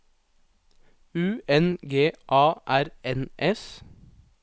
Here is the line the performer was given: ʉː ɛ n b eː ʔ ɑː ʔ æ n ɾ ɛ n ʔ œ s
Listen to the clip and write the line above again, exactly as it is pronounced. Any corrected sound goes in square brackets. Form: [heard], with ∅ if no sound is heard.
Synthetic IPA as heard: ʉː ɛ n [ɡ] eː ʔ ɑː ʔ æ [∅] ɾ ɛ n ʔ [ɛ] s